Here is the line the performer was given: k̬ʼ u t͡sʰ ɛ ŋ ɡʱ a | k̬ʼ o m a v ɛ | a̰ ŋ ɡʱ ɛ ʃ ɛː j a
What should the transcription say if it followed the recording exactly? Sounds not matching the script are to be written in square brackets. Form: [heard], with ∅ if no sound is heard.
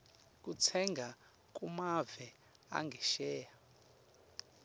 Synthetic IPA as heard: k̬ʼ u t͡sʰ ɛ ŋ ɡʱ a | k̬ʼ [u] m a v ɛ | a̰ ŋ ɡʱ ɛ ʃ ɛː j a